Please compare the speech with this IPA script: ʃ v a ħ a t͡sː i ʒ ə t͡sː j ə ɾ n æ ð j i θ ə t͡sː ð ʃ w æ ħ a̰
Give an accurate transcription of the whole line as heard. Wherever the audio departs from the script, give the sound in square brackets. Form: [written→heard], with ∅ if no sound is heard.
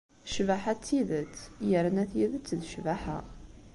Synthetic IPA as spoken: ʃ v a ħ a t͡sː i [ʒ→ð] ə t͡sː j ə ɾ n æ [ð→θ] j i [θ→ð] ə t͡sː ð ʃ [w→v] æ ħ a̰